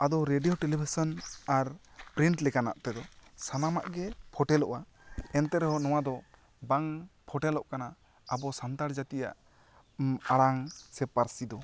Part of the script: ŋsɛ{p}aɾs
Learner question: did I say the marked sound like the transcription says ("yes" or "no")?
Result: yes